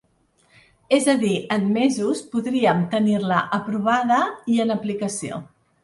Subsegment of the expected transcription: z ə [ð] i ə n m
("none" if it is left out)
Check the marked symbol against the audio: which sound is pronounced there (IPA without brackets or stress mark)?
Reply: ð